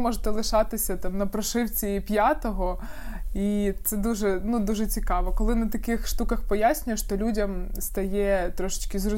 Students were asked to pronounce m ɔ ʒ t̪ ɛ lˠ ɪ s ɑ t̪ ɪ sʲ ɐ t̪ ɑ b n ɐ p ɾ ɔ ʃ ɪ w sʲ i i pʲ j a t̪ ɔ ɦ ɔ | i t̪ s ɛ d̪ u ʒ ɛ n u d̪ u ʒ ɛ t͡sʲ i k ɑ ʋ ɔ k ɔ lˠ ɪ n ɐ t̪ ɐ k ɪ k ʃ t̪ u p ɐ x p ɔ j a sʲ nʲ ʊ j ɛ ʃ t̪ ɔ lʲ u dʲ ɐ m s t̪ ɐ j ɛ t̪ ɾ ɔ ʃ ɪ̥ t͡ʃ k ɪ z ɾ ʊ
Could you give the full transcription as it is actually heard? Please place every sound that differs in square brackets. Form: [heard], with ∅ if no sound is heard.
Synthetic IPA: m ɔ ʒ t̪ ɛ lˠ ɪ [ʃ] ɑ t̪ ɪ sʲ ɐ t̪ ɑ [m] n ɐ p ɾ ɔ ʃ ɪ w [t͡sʲ] i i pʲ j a t̪ ɔ ɦ ɔ | i t̪ s ɛ d̪ u ʒ ɛ n u d̪ u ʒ ɛ t͡sʲ i k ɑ ʋ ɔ k ɔ lˠ ɪ n ɐ t̪ ɐ k ɪ [x] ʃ t̪ u [k] ɐ x p ɔ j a sʲ nʲ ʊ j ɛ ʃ t̪ ɔ lʲ u dʲ ɐ m s t̪ ɐ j ɛ t̪ ɾ ɔ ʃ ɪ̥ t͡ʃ k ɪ z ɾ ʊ